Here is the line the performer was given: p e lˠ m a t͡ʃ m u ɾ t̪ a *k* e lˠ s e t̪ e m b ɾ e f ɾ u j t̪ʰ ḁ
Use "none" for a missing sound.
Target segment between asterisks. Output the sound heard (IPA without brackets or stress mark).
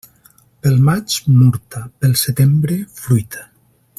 p